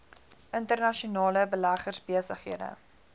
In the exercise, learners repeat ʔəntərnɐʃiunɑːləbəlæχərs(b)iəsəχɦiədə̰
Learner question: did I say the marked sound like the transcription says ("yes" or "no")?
yes